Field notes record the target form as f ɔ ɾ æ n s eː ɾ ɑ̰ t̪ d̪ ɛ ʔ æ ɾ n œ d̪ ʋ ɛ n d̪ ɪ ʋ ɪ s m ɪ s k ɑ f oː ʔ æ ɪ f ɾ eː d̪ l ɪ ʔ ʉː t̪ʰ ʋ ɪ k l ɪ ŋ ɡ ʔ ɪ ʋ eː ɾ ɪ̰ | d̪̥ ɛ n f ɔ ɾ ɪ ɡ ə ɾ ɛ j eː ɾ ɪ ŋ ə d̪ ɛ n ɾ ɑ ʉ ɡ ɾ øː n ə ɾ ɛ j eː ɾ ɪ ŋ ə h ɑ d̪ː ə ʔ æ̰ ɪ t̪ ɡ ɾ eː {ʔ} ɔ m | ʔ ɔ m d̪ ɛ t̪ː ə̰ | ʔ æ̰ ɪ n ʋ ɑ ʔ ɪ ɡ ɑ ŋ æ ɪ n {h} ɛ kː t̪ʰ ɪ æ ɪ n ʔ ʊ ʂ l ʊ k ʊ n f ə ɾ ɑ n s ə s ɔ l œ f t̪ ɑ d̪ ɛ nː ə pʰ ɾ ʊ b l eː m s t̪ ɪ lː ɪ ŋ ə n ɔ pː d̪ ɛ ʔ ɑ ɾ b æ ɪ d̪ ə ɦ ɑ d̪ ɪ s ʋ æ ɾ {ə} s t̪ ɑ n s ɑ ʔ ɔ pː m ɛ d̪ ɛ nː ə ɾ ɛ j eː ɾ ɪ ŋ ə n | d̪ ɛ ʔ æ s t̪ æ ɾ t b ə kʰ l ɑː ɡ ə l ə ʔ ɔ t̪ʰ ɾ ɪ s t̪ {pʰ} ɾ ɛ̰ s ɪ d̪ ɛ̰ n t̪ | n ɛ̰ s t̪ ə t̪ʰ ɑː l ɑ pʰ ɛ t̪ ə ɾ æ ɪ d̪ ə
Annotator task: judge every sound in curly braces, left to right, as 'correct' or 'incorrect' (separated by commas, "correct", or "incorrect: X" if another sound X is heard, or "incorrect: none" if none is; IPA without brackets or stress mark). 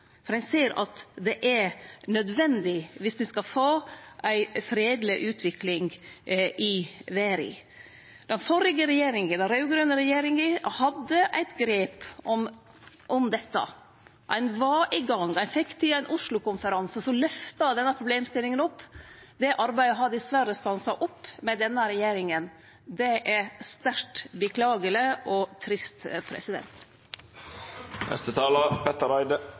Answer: incorrect: p, incorrect: f, correct, correct